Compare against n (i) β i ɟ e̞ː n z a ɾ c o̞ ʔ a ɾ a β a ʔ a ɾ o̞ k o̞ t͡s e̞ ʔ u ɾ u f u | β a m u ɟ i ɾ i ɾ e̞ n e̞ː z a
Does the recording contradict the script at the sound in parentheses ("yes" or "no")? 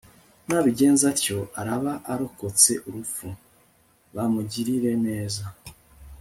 yes